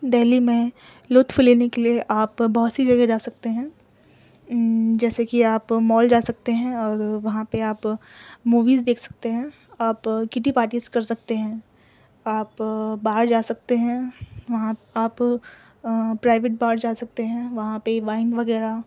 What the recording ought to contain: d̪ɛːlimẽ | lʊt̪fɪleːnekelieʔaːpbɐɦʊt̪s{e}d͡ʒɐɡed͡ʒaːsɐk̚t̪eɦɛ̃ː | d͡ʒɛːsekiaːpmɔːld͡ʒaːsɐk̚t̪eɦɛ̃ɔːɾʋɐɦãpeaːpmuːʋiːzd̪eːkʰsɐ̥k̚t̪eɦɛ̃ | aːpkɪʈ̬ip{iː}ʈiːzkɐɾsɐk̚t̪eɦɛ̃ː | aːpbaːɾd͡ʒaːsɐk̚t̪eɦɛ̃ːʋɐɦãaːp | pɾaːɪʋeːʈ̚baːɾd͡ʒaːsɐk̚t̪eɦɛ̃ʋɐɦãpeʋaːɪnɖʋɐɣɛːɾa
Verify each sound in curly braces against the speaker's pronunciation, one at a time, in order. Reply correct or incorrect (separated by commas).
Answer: incorrect, incorrect